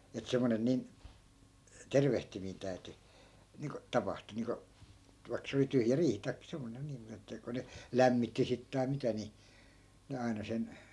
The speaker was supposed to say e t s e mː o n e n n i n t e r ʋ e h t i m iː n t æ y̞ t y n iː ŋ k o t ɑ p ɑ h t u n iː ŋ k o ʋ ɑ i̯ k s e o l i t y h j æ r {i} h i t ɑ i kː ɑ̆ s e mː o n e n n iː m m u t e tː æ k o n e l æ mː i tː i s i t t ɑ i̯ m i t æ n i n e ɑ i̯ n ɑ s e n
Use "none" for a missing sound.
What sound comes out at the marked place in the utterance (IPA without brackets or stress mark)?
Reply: iː